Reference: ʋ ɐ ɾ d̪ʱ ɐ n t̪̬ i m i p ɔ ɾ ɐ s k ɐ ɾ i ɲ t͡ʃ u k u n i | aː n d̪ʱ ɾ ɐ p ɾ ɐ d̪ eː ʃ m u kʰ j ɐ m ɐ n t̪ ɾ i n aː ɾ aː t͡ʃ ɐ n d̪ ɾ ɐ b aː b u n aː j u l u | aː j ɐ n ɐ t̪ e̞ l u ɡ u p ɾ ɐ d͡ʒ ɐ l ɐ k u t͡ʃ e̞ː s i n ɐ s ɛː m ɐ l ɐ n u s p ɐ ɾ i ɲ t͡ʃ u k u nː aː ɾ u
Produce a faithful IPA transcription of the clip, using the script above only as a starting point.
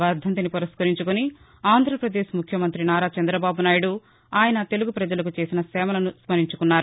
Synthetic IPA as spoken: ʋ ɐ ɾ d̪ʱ ɐ n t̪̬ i n i p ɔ ɾ ɐ s k ɐ ɾ i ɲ t͡ʃ u k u n i | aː n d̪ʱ ɾ ɐ p ɾ ɐ d̪ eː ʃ m u kʰ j ɐ m ɐ n t̪ ɾ i n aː ɾ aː t͡ʃ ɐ n d̪ ɾ ɐ b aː b u n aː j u ɽ u | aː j ɐ n ɐ t̪ e̞ l u ɡ u p ɾ ɐ d͡ʒ ɐ l ɐ k u t͡ʃ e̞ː s i n ɐ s ɛː m ɐ l ɐ n u s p ɐ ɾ i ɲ t͡ʃ u k u nː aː ɾ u